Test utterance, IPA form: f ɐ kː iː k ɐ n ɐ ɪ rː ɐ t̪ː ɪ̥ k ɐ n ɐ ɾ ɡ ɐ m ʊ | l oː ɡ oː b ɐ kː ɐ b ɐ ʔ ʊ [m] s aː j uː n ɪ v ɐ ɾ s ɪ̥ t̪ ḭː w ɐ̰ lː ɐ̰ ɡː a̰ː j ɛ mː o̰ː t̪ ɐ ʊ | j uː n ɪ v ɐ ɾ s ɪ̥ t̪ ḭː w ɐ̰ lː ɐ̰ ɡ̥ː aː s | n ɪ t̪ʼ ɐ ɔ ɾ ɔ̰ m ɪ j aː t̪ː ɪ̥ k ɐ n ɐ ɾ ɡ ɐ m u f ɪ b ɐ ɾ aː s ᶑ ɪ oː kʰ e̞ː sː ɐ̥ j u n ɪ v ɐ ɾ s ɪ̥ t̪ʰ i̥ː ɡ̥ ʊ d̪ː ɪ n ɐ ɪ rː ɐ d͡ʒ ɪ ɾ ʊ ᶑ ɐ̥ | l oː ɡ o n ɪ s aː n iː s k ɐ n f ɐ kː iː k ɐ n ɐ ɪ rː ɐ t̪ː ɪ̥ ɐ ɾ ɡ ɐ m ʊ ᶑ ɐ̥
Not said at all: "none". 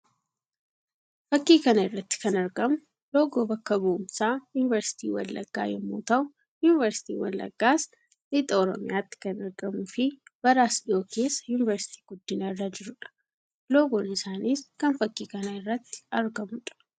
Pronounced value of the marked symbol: m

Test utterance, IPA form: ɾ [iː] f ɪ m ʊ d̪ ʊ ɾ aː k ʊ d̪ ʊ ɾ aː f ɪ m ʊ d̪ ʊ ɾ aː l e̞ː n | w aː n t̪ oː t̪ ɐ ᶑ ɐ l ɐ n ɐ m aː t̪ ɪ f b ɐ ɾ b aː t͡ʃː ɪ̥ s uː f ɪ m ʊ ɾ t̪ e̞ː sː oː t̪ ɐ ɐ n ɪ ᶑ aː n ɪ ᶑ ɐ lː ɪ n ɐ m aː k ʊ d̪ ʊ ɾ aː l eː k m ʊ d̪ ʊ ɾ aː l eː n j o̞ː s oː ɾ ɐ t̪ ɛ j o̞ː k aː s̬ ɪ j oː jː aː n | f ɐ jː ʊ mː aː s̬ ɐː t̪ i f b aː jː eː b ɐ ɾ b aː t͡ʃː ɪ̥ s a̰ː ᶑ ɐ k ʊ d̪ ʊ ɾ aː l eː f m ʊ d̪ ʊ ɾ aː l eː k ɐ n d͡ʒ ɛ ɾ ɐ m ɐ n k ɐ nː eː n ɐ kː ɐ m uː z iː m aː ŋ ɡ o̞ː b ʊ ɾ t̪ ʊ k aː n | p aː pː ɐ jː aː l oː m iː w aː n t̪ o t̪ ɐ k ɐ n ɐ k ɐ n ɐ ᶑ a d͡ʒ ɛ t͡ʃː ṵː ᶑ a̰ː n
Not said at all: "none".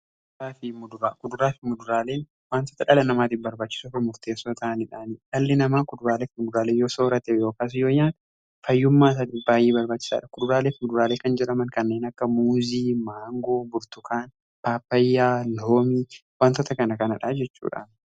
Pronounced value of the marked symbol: aː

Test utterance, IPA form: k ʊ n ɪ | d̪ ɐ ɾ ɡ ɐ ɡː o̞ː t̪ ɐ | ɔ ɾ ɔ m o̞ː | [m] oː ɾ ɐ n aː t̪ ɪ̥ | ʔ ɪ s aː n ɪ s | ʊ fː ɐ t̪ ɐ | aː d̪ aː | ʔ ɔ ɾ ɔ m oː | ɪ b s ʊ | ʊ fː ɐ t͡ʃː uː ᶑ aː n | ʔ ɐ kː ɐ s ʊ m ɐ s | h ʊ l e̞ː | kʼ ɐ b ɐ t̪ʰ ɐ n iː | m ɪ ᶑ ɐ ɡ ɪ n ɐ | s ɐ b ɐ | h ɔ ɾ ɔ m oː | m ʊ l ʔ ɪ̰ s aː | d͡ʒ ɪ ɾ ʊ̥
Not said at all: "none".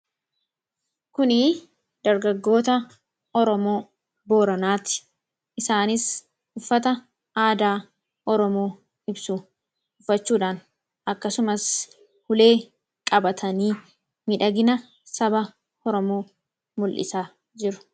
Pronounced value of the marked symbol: b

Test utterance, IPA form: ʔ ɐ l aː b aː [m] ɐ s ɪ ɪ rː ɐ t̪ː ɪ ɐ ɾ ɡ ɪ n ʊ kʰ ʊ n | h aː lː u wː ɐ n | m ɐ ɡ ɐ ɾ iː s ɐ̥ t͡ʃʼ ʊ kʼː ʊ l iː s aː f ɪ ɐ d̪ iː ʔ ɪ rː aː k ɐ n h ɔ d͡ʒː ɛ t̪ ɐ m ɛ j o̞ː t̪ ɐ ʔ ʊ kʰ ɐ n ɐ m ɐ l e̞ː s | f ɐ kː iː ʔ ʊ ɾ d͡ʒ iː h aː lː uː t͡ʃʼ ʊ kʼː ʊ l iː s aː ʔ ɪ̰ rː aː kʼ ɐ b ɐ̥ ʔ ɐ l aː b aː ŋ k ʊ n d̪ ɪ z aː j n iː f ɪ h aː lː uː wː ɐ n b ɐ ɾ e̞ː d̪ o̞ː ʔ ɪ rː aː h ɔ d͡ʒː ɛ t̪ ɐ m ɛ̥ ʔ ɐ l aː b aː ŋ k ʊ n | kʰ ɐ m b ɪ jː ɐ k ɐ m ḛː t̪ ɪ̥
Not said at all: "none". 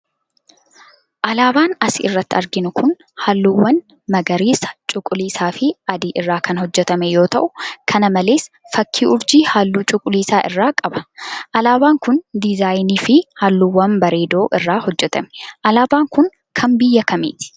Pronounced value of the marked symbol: n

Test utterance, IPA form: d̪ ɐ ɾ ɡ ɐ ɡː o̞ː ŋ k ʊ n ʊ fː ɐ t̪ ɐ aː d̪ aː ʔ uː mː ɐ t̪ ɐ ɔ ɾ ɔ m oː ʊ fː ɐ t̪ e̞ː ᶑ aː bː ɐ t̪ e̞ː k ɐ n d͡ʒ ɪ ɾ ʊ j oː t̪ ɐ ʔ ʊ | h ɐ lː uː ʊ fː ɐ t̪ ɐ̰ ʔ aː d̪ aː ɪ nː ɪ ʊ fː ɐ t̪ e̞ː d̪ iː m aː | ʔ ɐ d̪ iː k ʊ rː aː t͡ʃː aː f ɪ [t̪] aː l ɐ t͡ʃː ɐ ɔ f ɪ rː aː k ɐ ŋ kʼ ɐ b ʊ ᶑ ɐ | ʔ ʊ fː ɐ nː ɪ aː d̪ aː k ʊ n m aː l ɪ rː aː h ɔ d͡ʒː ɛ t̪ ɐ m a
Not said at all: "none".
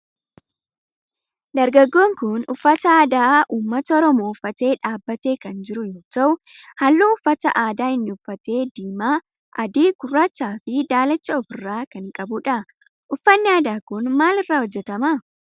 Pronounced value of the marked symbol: d̪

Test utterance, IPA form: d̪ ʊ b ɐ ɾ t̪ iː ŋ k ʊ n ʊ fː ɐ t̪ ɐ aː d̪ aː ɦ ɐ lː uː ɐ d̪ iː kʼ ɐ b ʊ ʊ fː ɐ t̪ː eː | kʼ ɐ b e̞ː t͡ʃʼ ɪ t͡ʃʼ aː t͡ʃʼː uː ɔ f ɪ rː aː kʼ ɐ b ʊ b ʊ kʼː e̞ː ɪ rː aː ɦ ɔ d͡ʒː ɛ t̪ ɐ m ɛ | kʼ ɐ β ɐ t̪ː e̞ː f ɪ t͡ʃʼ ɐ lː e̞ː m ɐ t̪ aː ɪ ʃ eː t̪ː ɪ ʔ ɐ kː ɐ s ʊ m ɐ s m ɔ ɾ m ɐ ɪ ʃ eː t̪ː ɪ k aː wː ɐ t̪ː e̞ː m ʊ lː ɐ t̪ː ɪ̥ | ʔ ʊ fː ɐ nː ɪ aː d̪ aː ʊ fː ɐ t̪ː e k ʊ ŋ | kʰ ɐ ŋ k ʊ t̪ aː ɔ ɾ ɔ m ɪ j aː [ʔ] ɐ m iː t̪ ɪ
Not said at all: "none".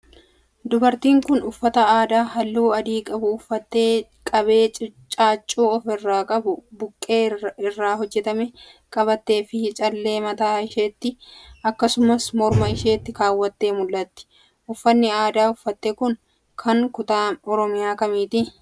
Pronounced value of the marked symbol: k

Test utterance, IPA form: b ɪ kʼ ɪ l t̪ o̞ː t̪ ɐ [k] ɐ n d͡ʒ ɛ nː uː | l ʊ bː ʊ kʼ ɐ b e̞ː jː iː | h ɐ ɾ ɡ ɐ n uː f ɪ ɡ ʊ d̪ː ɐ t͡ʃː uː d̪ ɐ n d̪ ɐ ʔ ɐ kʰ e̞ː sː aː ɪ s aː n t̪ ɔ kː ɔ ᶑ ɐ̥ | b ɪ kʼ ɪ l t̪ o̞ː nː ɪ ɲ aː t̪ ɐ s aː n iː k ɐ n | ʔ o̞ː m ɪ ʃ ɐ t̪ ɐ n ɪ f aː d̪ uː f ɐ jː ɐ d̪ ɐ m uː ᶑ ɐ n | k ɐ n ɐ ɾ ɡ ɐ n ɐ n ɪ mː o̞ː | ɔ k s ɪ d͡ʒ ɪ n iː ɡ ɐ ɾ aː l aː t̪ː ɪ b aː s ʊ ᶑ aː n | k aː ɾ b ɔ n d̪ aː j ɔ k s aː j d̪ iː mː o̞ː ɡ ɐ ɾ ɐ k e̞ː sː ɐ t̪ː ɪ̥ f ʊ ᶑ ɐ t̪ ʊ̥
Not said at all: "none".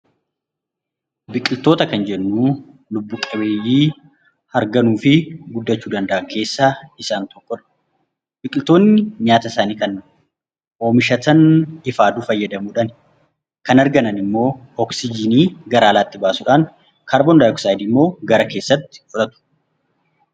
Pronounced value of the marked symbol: k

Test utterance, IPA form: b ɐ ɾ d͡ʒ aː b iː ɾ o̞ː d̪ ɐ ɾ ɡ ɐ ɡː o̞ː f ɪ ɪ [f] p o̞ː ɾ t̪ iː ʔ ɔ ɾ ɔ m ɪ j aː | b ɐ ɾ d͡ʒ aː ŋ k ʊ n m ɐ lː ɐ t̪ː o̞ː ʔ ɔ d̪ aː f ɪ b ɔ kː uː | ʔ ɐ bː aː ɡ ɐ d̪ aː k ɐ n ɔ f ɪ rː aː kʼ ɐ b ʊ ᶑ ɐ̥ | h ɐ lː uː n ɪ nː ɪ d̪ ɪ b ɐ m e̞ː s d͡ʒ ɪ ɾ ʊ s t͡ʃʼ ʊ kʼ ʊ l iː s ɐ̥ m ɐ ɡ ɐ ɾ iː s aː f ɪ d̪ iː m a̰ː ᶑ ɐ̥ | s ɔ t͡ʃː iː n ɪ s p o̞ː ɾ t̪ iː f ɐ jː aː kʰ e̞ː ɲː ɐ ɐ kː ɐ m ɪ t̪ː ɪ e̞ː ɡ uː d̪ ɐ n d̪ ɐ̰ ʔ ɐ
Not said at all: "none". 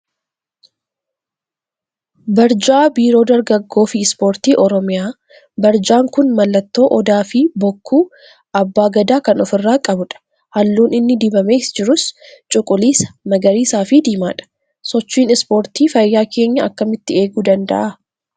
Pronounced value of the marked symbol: s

